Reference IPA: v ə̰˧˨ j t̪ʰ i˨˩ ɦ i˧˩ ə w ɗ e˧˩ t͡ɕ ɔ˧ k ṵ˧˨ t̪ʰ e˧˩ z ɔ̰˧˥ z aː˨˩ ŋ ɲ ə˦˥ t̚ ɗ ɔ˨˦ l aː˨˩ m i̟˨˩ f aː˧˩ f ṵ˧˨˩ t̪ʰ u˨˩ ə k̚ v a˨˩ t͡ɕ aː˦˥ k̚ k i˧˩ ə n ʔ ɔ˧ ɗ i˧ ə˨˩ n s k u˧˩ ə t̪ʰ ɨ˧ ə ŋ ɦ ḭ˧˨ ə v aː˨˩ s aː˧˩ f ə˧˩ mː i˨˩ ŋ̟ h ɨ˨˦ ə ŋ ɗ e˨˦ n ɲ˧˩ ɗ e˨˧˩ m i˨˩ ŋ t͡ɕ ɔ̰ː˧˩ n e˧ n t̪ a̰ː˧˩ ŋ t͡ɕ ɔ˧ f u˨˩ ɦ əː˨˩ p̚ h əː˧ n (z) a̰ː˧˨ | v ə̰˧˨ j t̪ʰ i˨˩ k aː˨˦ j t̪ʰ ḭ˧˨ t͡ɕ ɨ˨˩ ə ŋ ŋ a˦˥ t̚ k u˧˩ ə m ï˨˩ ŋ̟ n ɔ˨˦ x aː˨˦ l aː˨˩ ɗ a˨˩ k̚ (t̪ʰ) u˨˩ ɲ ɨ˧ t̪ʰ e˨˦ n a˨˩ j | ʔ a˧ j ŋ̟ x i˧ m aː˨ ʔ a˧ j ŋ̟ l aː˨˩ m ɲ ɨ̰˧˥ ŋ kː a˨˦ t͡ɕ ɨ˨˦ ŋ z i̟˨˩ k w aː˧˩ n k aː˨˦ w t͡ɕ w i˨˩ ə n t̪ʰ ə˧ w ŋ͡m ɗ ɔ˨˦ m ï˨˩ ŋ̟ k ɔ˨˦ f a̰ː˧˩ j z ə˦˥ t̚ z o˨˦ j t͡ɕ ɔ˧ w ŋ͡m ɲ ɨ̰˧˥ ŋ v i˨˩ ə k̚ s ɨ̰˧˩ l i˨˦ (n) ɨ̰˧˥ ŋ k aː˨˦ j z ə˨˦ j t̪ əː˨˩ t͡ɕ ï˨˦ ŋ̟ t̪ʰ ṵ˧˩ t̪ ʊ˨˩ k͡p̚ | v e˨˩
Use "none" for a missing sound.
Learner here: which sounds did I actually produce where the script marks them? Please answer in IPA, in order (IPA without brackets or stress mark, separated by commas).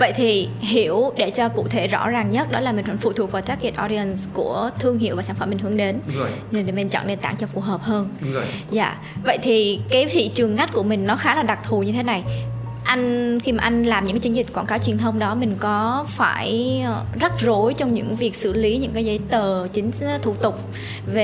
z, t̪ʰ, ɲ